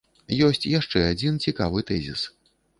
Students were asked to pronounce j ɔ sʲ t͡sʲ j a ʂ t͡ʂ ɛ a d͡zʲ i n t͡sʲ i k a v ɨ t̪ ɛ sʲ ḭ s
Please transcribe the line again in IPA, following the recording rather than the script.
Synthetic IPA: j ɔ sʲ t͡sʲ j a ʂ t͡ʂ ɛ a d͡zʲ i n t͡sʲ i k a v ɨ t̪ ɛ zʲ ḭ s

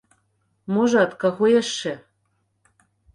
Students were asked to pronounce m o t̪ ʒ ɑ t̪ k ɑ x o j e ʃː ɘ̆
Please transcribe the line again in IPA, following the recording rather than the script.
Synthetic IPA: m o ʒ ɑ t̪ k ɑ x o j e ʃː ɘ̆

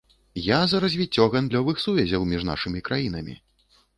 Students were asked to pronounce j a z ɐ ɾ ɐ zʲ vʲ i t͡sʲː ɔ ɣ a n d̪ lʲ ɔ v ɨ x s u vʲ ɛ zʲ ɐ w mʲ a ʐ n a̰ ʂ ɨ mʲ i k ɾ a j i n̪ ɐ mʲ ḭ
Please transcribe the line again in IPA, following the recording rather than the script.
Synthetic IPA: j a z ɐ ɾ ɐ zʲ vʲ i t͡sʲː ɔ ɣ a n d̪ lʲ ɔ v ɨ x s u vʲ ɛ zʲ ɐ w mʲ i ʐ n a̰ ʂ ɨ mʲ i k ɾ a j i n̪ ɐ mʲ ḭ

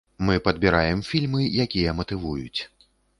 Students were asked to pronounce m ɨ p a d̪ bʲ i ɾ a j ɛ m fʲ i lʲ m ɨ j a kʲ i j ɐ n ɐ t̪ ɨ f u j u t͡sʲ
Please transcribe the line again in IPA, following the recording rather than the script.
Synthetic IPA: m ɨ p ɐ d̪ bʲ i ɾ a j ɛ m fʲ i lʲ m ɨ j a kʲ i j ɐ m ɐ t̪ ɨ v u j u t͡sʲ

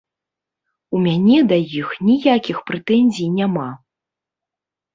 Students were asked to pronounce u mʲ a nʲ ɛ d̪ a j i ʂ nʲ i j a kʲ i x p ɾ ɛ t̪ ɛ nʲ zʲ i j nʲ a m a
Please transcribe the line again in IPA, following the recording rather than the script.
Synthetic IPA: u mʲ a nʲ ɛ d̪ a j i x nʲ i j a kʲ i x p ɾ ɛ t̪ ɛ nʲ zʲ i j nʲ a m a

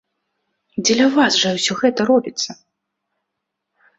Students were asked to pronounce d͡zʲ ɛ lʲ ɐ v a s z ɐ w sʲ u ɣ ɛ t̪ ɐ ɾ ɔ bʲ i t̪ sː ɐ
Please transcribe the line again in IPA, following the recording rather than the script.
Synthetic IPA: d͡zʲ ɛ lʲ ɐ v a s ʐ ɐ w sʲ ɔ ɣ ɛ t̪ ɐ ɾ ɔ bʲ i t̪ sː ɐ

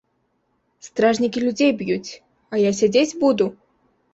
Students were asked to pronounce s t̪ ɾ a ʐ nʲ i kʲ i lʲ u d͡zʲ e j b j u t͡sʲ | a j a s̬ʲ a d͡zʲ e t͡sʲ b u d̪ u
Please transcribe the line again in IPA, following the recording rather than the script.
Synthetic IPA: s t̪ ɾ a ʐ nʲ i kʲ i lʲ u d͡zʲ e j b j u t͡sʲ | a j a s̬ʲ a d͡zʲ e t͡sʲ b u d̪ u

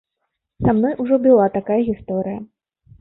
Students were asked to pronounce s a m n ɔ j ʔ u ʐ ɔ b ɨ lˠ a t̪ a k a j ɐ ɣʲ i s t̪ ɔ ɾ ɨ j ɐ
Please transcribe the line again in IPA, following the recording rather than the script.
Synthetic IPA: s a m n ɔ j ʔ u ʐ ɔ b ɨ lˠ a t̪ a k a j ɐ ɣʲ i s t̪ ɔ ɾ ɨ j ɐ

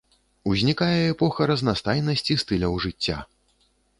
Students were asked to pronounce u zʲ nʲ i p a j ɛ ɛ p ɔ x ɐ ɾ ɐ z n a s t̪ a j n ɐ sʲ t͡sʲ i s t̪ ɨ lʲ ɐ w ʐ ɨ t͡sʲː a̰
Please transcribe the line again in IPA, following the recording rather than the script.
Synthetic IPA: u zʲ nʲ i k a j ɛ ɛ p ɔ x ɐ ɾ ɐ z n a s t̪ a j n ɐ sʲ t͡sʲ i s t̪ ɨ lʲ ɐ w ʐ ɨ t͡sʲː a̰

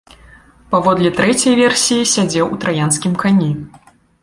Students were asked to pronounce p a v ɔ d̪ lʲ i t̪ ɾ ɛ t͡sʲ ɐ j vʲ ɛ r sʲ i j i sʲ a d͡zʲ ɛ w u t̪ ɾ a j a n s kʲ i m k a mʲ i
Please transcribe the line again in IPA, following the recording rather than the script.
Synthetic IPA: p a v ɔ d̪ lʲ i t̪ ɾ ɛ t͡sʲ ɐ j vʲ ɛ r sʲ i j i sʲ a d͡zʲ ɛ w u t̪ ɾ a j a n s kʲ i m k a nʲ i

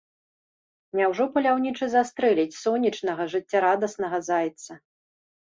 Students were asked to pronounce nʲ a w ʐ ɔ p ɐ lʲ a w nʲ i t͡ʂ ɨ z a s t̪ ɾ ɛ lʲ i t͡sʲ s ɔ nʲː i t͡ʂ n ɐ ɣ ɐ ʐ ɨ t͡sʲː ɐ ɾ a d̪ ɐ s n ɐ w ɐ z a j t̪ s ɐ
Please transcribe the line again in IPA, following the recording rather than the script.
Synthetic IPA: nʲ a w ʐ ɔ p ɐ lʲ a w nʲ i t͡ʂ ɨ z a s t̪ ɾ ɛ lʲ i t͡sʲ s ɔ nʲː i t͡ʂ n ɐ ɣ ɐ ʐ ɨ t͡sʲː a ɾ a d̪ ɐ s n ɐ ɣ ɐ z a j t̪ s ɐ

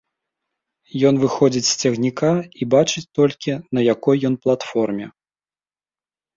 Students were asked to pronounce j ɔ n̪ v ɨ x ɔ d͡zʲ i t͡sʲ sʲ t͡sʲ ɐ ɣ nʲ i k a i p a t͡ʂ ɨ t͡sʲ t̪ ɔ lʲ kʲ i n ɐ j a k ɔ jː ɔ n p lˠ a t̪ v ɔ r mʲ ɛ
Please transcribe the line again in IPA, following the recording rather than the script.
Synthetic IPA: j ɔ n̪ v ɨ x ɔ d͡zʲ i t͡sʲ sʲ t͡sʲ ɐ ɣ nʲ i k a i b a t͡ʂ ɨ t͡sʲ t̪ ɔ lʲ kʲ i n ɐ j a k ɔ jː ɔ n p lˠ a t̪ f ɔ r mʲ ɛ

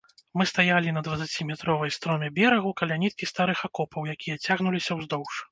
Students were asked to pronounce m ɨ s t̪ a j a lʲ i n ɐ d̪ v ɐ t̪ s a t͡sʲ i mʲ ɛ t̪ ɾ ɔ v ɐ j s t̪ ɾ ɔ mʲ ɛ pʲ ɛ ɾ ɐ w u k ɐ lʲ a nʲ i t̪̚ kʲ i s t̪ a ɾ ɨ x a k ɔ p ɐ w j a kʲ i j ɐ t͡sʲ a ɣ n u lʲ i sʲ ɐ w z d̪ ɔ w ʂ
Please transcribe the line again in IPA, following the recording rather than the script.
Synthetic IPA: m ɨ s t̪ a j a lʲ i n ɐ d̪ v ɐ t̪ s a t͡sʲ i mʲ ɛ t̪ ɾ ɔ v ɐ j s t̪ ɾ ɔ mʲ ɛ bʲ ɛ ɾ ɐ ɣ u k ɐ lʲ a nʲ i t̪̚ kʲ i s t̪ a ɾ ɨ x a k ɔ p ɐ w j a kʲ i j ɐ t͡sʲ a ɣ n u lʲ i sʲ ɐ w z d̪ ɔ w ʂ

